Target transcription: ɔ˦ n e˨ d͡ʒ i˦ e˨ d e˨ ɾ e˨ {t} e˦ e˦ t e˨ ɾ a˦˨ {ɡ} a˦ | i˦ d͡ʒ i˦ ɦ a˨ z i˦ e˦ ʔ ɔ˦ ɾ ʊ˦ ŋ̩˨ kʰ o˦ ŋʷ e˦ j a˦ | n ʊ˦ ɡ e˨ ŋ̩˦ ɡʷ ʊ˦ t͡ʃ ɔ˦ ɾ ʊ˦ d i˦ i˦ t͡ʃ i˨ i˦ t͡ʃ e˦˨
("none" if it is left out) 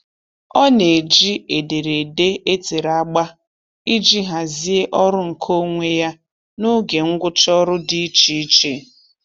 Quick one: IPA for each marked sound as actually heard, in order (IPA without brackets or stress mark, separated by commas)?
d, ɡ͡b